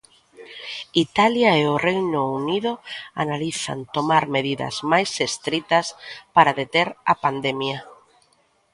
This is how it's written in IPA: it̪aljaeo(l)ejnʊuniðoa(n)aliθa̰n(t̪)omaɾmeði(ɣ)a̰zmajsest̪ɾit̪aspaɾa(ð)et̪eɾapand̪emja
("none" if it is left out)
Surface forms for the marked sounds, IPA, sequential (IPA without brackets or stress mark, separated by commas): r, n, t̪, ð, ð